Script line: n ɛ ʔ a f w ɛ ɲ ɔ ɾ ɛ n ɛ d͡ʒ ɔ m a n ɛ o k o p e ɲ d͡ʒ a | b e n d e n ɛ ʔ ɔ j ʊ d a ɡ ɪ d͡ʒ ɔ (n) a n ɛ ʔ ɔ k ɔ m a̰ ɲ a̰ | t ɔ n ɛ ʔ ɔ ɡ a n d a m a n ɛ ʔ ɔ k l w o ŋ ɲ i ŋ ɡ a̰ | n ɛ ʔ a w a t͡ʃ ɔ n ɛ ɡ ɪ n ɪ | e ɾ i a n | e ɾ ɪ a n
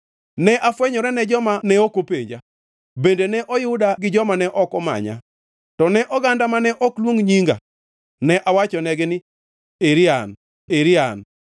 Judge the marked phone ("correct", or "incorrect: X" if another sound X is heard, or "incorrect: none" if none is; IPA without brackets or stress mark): incorrect: m